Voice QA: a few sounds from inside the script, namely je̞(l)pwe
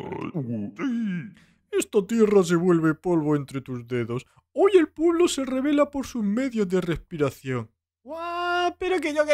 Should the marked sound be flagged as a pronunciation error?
no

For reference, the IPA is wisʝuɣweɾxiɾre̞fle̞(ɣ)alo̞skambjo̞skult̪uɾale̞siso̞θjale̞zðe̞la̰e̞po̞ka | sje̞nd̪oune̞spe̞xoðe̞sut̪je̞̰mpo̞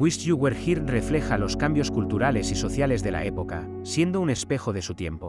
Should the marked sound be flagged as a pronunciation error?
yes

